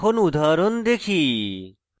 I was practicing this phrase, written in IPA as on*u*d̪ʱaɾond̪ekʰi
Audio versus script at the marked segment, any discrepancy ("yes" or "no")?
no